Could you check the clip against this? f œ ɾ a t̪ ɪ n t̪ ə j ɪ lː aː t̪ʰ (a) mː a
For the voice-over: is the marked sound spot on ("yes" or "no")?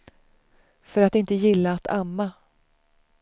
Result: yes